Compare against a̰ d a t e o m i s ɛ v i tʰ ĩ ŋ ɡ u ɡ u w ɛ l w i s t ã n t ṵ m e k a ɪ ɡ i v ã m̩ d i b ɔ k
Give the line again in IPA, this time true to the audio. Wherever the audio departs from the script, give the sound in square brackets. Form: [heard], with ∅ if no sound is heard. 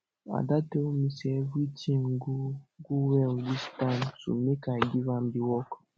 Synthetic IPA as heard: a̰ d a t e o m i s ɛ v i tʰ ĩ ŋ ɡ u ɡ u w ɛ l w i s t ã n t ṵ m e k a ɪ ɡ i v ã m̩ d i [w] ɔ k